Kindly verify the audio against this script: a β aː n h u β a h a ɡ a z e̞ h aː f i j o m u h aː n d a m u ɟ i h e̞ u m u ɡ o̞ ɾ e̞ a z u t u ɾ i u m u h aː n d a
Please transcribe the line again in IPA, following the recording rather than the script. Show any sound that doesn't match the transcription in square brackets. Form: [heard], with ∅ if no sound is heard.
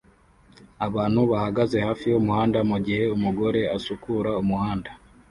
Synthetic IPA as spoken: a β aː n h u β a h a ɡ a z e̞ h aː f i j o m u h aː n d a m u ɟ i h e̞ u m u ɡ o̞ ɾ e̞ a [s] u [k] u ɾ [a] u m u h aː n d a